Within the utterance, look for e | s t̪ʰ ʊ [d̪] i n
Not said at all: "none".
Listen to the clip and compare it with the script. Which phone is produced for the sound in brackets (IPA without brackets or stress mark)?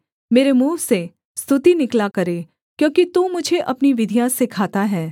t̪